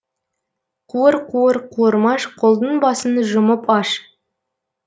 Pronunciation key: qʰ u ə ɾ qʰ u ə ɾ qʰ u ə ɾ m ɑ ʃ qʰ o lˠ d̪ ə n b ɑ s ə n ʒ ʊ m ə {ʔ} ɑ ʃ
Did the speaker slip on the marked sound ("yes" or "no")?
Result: yes